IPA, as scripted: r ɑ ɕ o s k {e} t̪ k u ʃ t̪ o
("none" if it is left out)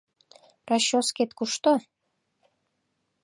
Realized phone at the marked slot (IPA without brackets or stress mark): e